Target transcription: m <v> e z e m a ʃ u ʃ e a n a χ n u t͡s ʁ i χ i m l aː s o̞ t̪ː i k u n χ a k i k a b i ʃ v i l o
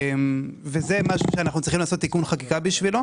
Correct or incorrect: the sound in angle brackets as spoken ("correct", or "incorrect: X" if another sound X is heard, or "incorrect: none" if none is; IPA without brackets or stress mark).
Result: correct